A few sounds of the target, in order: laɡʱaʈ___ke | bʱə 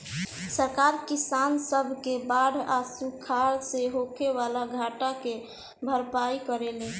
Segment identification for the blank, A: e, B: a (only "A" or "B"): B